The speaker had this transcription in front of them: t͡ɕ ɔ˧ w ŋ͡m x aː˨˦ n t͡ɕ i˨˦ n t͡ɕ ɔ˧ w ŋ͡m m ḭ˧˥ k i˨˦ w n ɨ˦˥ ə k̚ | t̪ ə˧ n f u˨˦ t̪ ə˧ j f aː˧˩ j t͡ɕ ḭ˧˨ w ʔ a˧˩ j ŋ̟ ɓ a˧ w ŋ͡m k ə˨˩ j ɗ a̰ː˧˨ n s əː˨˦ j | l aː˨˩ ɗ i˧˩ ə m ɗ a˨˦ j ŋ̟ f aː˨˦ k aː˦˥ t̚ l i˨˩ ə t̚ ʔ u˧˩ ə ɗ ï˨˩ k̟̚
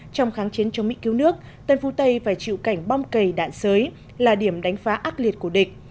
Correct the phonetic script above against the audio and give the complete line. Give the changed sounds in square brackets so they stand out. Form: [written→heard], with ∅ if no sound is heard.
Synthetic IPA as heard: t͡ɕ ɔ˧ w ŋ͡m x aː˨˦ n t͡ɕ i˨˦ n t͡ɕ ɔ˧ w ŋ͡m m ḭ˧˥ k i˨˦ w n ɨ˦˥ ə k̚ | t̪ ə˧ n f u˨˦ t̪ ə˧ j f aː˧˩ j t͡ɕ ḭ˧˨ w [ʔ→k] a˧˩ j ŋ̟ ɓ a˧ w ŋ͡m k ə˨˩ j ɗ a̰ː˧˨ n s əː˨˦ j | l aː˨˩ ɗ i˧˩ ə m ɗ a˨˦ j ŋ̟ f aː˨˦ [k→ʔ] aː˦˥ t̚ l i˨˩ ə t̚ [ʔ→k] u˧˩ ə ɗ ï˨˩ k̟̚

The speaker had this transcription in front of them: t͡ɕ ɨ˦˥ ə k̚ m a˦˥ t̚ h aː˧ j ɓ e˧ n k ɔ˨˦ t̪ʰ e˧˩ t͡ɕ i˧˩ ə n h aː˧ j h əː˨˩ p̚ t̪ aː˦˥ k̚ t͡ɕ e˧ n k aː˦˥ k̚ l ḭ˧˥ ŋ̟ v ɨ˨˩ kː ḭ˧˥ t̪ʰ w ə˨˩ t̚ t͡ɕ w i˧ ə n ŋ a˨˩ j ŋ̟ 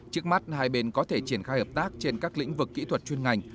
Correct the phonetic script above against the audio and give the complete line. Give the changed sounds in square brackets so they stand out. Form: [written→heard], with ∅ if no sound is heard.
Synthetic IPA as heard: t͡ɕ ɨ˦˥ ə k̚ m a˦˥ t̚ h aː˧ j ɓ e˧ n k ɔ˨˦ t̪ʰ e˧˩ t͡ɕ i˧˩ ə n [h→x] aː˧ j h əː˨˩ p̚ t̪ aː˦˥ k̚ t͡ɕ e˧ n k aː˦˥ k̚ l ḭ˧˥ ŋ̟ v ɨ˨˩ kː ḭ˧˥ t̪ʰ w ə˨˩ t̚ t͡ɕ w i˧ ə n ŋ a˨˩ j ŋ̟

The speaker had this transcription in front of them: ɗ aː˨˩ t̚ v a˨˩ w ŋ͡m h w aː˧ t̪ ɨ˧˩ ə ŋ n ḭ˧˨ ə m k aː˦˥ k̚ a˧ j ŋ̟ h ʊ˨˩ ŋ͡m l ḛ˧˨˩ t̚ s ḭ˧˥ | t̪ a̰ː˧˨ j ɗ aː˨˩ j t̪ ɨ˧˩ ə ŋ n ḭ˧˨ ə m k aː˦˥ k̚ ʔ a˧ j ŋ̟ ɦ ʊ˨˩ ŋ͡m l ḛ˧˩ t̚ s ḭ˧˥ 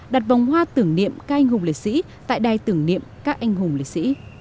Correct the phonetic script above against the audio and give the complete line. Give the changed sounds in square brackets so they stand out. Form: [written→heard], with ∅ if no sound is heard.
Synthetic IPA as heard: ɗ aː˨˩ t̚ v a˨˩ w ŋ͡m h w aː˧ t̪ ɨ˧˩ ə ŋ n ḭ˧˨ ə m k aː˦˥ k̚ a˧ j ŋ̟ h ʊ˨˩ ŋ͡m l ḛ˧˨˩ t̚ s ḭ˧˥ | t̪ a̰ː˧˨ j ɗ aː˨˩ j t̪ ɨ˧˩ ə ŋ n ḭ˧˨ ə m k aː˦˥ k̚ ʔ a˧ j ŋ̟ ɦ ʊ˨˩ ŋ͡m l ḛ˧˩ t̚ s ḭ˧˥

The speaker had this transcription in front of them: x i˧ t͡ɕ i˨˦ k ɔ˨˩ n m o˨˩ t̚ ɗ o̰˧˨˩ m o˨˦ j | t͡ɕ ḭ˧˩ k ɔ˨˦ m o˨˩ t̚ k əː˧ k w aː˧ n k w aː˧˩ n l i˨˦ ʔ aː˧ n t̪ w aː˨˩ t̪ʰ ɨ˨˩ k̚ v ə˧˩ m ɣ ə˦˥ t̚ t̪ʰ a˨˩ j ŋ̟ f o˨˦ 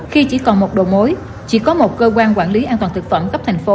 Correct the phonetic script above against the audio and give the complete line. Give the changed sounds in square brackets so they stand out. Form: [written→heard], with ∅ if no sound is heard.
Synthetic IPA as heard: x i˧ t͡ɕ [i˨˦→i˧˩] k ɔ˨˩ n m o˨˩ t̚ ɗ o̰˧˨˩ m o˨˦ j | t͡ɕ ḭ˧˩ k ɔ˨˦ m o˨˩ t̚ k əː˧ k w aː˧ n k w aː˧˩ n l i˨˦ ʔ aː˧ n t̪ w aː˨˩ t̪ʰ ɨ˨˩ k̚ [v→f] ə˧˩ m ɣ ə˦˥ [t̚→p̚] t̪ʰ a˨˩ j ŋ̟ f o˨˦

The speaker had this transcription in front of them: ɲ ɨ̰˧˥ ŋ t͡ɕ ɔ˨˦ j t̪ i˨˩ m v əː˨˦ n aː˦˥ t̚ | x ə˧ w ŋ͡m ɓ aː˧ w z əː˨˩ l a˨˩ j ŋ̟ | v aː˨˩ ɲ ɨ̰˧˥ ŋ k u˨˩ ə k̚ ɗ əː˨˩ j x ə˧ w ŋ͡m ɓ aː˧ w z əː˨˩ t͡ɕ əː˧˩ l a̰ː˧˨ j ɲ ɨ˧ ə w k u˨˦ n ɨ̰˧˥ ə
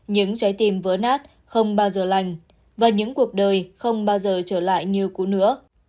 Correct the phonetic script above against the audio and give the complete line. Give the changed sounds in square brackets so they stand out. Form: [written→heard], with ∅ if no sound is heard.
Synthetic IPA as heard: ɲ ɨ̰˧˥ ŋ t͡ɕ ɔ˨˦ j t̪ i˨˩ m v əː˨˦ n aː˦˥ t̚ | x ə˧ w ŋ͡m ɓ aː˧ w z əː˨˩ l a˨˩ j ŋ̟ | v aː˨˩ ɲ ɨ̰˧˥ ŋ k u˨˩ ə k̚ ɗ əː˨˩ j x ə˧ w ŋ͡m ɓ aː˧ w z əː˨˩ t͡ɕ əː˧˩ l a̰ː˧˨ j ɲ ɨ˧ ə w k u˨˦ n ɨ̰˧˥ ə

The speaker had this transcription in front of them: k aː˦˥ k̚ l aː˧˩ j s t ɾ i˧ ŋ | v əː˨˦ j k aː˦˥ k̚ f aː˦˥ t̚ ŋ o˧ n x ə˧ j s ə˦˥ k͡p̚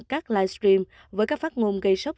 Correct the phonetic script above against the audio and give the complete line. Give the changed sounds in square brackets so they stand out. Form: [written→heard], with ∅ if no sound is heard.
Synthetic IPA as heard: k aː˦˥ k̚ l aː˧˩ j s t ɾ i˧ [ŋ→m] | v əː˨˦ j k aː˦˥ k̚ f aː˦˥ t̚ ŋ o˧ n [x→ɣ] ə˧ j s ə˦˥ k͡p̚

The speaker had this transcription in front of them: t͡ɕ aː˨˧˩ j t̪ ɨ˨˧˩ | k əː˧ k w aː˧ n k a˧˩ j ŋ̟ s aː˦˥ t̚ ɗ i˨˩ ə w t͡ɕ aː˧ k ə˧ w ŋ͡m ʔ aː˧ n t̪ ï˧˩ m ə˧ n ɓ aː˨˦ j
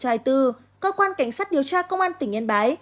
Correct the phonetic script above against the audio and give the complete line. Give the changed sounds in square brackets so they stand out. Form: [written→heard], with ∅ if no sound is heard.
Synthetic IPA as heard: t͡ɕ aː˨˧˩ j t̪ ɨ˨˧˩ | k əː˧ k w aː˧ n k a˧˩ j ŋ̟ s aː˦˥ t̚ ɗ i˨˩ ə w t͡ɕ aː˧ k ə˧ w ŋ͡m ʔ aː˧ n t̪ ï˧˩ [m→ŋ] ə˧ n ɓ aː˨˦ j

